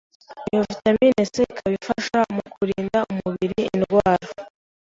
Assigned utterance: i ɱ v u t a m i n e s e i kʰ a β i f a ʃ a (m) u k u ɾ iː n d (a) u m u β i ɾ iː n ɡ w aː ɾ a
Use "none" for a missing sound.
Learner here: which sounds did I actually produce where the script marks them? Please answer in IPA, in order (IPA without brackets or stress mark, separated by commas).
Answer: m, a